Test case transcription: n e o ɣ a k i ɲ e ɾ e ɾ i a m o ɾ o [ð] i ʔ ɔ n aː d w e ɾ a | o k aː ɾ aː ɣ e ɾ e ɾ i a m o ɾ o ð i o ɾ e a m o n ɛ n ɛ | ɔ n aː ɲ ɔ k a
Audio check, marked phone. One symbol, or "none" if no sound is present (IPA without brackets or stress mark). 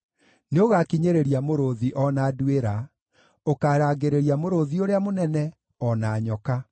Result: ð